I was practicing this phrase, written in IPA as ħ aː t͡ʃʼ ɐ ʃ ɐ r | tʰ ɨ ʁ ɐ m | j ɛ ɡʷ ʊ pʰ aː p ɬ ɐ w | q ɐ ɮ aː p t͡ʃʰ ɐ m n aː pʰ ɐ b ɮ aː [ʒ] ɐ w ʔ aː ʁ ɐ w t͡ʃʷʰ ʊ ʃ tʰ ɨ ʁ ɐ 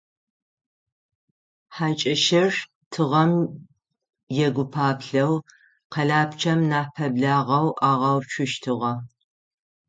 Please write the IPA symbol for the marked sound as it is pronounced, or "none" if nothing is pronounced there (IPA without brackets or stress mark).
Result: ʁ